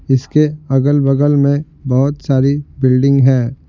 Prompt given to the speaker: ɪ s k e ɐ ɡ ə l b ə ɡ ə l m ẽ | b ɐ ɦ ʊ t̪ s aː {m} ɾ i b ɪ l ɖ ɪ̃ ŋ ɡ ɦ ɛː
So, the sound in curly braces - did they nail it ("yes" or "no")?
no